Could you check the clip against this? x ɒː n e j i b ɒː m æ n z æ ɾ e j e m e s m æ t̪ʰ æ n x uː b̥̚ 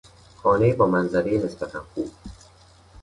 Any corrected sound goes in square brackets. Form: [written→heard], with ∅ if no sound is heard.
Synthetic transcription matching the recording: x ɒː n e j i b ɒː m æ n z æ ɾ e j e [m→n] e s [m→b] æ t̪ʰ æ n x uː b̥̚